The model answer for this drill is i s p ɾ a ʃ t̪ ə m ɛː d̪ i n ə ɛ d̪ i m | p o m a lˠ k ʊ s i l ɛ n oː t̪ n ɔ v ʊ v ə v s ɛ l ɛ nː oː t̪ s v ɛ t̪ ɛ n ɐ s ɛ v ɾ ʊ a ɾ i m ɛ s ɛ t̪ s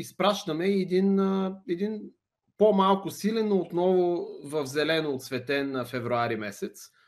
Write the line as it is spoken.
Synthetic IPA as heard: i s p ɾ a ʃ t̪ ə m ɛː d̪ i n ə ɛ d̪ i n | p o m a lˠ k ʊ s i l ɛ n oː t̪ n ɔ v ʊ v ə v z ɛ l ɛ n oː t̪ s v ɛ t̪ ɛ n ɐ f ɛ v ɾ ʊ a ɾ i m ɛ s ɛ t̪ s